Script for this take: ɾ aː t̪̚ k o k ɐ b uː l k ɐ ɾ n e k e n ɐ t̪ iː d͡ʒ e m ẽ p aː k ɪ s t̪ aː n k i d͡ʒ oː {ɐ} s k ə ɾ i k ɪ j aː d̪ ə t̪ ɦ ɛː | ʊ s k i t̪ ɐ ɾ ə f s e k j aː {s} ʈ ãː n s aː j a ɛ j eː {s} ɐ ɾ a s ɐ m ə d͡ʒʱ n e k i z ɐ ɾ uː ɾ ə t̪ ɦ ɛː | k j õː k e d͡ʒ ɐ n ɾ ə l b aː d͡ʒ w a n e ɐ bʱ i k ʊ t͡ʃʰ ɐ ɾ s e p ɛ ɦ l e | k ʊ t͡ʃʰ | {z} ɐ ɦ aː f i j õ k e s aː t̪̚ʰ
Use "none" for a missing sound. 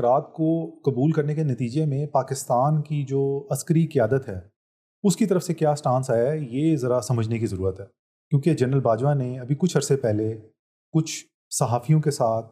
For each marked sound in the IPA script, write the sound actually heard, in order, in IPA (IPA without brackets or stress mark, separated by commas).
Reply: ɐ, s, z, s